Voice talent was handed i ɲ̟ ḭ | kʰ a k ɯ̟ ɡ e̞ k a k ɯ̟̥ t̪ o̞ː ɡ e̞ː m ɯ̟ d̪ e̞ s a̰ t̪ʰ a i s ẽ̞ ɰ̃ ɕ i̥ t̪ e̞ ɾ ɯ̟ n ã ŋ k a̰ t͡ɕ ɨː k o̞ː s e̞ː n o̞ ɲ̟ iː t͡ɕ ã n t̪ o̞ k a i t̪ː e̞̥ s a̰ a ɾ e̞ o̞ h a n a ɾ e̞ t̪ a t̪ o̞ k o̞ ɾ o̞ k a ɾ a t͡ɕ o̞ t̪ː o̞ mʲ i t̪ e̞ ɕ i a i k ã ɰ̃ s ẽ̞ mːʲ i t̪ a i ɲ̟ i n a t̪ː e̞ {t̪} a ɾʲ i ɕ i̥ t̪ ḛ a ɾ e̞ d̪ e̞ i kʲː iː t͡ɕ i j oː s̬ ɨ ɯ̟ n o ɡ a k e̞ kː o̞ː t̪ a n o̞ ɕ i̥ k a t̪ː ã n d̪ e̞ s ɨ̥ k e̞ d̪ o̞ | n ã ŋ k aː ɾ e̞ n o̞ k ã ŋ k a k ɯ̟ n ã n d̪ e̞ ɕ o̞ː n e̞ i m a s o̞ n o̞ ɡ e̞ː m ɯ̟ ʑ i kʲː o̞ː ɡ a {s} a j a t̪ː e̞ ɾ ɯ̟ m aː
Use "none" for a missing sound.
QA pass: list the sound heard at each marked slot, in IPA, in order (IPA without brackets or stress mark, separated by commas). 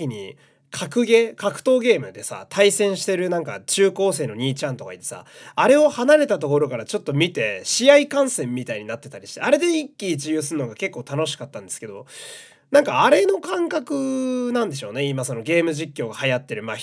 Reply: t̪, h